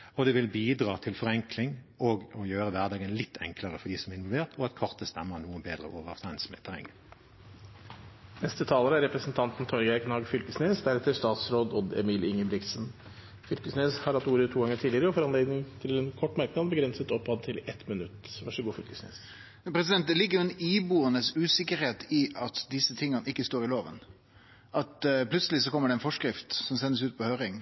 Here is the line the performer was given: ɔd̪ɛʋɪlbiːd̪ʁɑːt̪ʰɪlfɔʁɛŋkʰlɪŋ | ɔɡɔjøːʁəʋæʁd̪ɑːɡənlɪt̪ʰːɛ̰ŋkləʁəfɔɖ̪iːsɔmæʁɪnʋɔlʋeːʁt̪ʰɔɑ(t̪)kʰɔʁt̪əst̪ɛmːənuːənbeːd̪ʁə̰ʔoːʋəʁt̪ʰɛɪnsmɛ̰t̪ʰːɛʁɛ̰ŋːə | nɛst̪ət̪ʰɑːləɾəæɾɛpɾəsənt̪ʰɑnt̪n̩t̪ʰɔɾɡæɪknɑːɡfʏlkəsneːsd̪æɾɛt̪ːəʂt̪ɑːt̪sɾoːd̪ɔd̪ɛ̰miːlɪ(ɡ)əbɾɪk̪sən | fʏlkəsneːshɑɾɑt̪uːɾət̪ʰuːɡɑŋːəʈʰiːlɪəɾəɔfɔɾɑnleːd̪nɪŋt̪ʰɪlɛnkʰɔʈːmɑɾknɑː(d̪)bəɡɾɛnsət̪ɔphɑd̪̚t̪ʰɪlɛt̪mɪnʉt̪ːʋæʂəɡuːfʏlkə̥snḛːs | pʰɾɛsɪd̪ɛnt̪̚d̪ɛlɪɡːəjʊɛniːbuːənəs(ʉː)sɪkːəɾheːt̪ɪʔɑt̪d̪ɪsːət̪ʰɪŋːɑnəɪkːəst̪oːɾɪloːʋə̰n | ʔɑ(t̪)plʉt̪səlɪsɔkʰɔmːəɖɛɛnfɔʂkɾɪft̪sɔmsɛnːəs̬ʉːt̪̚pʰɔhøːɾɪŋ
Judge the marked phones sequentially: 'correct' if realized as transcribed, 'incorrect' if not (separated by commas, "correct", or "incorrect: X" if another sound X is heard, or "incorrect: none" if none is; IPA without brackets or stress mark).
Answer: correct, incorrect: ŋ, correct, correct, correct